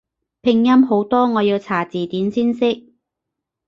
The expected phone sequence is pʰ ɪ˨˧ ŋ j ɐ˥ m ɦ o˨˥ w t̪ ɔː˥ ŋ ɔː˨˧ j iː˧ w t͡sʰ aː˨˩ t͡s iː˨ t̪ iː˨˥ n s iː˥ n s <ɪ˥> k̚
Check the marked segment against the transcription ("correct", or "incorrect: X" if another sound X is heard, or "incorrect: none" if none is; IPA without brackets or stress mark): correct